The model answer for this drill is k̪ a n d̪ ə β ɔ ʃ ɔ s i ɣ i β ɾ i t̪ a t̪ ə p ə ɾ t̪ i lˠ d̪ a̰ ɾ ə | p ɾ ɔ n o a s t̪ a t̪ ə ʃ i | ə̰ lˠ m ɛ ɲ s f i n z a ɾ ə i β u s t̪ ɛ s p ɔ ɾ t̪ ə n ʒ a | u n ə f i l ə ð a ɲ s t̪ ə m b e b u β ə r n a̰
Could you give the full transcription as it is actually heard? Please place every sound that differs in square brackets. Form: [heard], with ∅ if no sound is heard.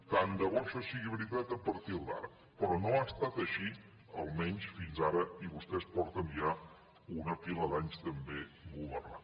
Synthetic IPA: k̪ a n d̪ ə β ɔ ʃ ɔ s i ɣ i β ɾ i t̪ a t̪ ə p ə ɾ t̪ i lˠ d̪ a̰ ɾ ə | p ɾ ɔ n o a s t̪ a t̪ ə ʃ i | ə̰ lˠ m ɛ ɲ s f i n z a ɾ ə i β u s t̪ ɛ s p ɔ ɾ t̪ ə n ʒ a | u n ə f i l ə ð a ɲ s t̪ ə m b e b u β ə r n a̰